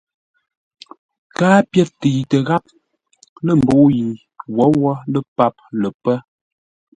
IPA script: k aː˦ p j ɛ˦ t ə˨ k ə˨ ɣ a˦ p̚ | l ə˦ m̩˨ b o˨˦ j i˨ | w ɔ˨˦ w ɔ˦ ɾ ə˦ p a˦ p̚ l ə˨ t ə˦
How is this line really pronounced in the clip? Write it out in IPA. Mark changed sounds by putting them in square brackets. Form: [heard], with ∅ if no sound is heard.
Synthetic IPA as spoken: k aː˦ p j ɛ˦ t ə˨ [t] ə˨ ɣ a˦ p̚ | l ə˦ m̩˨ b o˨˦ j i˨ | w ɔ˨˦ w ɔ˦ [l] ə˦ p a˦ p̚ l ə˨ [p] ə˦